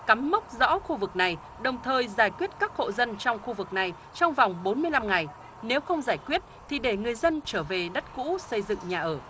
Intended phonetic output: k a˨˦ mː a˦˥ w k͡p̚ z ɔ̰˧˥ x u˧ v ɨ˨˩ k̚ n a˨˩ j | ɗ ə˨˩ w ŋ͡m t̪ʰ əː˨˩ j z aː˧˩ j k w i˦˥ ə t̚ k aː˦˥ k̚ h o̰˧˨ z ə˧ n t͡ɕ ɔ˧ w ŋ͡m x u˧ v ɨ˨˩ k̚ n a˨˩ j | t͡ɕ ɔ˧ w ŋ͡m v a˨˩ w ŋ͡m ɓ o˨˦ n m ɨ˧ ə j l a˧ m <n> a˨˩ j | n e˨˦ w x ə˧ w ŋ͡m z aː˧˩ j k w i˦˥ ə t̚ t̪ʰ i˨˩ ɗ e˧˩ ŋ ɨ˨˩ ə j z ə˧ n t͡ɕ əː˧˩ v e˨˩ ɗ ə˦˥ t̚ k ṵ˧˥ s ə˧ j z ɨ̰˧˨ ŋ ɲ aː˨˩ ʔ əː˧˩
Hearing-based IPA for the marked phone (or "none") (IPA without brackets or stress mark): ŋ